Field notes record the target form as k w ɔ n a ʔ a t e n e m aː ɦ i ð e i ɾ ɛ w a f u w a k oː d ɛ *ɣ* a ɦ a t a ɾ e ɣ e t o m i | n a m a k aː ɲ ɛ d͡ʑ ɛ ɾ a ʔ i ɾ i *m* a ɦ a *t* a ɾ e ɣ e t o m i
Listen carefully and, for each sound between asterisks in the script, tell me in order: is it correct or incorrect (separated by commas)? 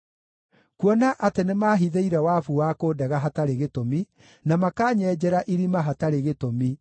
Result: correct, correct, correct